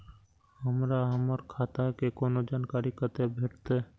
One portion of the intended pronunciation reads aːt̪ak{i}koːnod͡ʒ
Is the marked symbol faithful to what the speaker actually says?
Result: no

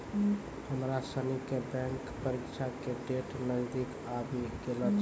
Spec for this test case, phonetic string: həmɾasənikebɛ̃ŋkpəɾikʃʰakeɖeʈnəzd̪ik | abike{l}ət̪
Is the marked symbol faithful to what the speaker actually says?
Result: yes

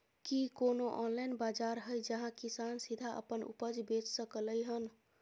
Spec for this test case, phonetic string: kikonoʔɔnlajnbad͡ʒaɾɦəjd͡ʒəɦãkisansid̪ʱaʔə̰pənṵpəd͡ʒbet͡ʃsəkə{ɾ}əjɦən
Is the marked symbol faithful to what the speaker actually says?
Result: no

